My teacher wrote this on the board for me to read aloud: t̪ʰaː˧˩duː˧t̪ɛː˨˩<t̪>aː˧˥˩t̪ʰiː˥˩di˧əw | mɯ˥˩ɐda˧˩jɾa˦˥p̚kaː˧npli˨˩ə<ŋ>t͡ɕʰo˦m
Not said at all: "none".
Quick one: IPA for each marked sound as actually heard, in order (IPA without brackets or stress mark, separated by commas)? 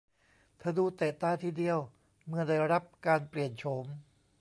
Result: t̪, n